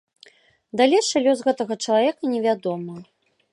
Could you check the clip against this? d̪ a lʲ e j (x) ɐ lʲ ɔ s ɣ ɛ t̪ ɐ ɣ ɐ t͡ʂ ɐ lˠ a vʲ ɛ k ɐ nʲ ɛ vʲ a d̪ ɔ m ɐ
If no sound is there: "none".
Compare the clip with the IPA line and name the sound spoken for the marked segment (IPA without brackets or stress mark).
ʂ